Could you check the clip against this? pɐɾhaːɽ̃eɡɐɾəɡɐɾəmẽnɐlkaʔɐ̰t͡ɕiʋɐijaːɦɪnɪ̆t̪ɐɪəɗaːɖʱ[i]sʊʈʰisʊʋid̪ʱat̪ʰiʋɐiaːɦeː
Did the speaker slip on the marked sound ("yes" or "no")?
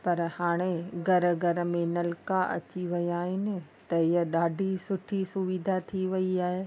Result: no